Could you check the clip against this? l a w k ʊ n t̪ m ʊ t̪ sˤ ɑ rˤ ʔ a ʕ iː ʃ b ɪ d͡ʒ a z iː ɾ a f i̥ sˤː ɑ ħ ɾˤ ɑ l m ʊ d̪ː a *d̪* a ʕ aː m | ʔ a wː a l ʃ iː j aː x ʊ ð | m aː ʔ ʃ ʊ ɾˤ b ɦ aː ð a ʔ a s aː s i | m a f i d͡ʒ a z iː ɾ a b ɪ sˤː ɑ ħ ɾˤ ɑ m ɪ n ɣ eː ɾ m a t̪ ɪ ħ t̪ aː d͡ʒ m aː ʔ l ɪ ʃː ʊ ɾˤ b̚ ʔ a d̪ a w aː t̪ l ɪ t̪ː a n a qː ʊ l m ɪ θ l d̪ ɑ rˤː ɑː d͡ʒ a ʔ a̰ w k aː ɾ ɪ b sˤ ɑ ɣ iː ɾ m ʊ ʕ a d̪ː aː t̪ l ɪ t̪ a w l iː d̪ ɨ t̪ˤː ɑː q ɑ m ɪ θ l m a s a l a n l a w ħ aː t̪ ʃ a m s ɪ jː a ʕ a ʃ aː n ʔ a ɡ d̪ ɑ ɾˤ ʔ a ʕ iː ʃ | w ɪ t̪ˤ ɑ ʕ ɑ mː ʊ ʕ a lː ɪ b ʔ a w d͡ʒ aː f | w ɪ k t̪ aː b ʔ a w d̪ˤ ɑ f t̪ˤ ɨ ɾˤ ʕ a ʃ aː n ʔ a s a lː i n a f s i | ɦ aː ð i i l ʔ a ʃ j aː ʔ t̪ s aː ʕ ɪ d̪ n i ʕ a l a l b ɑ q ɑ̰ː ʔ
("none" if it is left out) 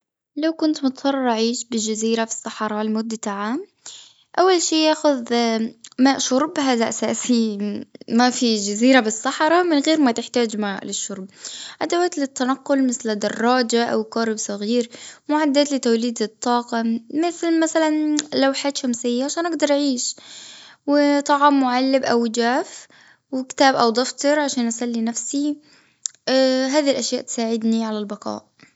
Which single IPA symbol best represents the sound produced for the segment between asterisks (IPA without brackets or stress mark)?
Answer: t̪